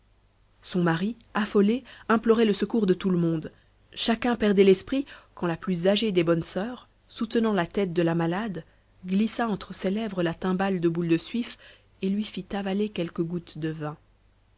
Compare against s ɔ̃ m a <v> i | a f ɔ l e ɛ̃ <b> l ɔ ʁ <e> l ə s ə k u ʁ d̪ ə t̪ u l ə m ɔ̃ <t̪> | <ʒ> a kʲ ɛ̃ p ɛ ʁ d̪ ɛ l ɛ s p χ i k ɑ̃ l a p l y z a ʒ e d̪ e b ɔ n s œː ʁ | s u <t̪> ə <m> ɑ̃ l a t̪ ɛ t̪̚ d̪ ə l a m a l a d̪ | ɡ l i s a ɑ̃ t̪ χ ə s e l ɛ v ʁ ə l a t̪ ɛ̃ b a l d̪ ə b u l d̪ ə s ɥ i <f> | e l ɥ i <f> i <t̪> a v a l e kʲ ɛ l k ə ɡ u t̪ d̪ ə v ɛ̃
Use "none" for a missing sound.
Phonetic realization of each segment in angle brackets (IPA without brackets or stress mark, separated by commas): ʁ, p, ɛ, d̪, ʃ, t̪, n, f, f, t̪